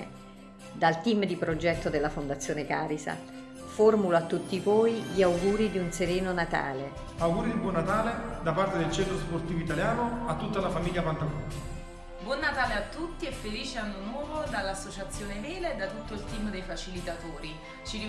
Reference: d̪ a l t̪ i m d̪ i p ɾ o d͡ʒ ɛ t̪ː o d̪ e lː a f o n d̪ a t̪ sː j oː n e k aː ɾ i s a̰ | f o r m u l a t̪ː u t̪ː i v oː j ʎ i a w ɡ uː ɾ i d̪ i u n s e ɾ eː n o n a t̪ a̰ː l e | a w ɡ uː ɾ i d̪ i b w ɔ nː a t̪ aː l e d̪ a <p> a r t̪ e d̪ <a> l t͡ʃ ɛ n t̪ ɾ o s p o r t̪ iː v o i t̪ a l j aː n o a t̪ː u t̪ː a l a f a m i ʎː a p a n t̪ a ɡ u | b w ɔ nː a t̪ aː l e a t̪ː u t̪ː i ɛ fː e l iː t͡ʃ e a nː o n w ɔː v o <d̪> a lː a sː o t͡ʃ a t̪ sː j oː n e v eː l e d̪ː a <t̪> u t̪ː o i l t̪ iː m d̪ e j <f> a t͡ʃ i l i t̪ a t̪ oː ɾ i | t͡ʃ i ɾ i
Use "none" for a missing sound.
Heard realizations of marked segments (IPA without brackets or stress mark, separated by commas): p, e, d̪, t̪, f